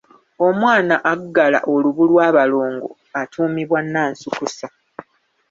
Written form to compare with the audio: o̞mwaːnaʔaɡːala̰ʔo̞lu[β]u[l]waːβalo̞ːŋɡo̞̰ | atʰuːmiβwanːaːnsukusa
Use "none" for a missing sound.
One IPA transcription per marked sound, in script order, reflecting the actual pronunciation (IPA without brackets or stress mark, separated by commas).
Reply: β, l